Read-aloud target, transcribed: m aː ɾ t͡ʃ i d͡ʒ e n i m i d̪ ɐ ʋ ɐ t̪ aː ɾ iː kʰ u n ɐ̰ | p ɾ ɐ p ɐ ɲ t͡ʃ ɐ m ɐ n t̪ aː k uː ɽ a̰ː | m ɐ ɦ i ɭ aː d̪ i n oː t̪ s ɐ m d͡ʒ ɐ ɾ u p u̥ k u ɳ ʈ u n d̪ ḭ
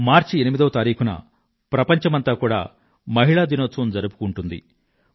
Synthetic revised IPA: m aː ɾ t͡ʃ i e n i m i d̪ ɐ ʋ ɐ t̪ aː ɾ iː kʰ u n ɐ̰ | p ɾ ɐ p ɐ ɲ t͡ʃ ɐ m ɐ n t̪ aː k uː ɽ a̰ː | m ɐ ɦ i ɭ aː d̪ i n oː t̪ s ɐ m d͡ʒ ɐ ɾ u p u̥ k u ɳ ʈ u n d̪ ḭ